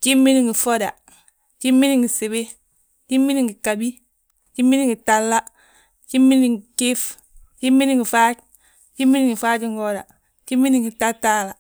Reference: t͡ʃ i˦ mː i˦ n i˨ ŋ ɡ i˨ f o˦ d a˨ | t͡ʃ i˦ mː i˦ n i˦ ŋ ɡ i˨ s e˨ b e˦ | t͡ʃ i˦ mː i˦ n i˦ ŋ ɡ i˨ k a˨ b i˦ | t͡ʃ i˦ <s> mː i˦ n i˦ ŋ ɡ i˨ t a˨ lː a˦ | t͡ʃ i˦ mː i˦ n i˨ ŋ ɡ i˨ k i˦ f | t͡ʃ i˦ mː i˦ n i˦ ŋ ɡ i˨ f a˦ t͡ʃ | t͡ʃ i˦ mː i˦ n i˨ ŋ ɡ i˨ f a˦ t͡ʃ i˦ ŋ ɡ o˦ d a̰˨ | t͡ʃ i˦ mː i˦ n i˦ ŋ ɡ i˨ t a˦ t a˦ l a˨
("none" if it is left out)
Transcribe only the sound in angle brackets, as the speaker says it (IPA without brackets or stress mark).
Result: none